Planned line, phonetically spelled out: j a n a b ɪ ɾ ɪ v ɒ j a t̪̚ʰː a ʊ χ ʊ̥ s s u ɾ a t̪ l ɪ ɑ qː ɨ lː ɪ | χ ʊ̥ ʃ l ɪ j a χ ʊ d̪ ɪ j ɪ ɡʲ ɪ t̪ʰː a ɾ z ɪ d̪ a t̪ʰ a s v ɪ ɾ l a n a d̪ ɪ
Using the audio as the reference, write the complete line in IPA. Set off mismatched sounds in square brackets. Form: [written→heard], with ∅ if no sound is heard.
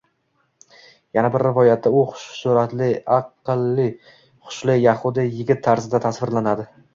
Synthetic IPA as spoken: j a n a b ɪ [ɾ→ɾː] ɪ v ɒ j a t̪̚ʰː a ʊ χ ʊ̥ [s→ʃ] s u ɾ a t̪ l ɪ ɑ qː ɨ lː ɪ | χ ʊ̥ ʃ l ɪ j a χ ʊ d̪ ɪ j ɪ ɡʲ ɪ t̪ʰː a ɾ z ɪ d̪ a t̪ʰ a s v ɪ ɾ l a n a d̪ ɪ